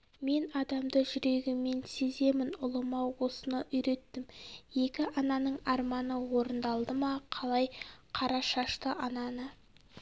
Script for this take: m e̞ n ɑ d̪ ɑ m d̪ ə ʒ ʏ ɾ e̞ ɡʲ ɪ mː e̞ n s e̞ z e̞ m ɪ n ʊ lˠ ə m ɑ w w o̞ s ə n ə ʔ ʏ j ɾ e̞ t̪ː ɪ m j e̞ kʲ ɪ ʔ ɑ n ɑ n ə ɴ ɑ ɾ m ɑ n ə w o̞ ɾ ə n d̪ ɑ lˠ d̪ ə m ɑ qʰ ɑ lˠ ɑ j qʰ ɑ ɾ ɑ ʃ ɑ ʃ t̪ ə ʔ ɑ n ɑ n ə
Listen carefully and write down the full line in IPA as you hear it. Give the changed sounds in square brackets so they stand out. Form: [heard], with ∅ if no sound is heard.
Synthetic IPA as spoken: m e̞ n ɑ d̪ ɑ m d̪ ə ʒ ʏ ɾ e̞ ɡʲ ɪ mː e̞ n s e̞ z e̞ m ɪ n ʊ lˠ ə m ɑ w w o̞ s ə n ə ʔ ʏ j ɾ e̞ t̪ː ɪ m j e̞ kʲ ɪ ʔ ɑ n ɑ n ə ɴ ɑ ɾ m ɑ n ə w o̞ ɾ ə n d̪ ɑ lˠ d̪ ə m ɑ qʰ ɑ lˠ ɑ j qʰ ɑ ɾ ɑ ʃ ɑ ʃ t̪ ə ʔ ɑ n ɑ n ə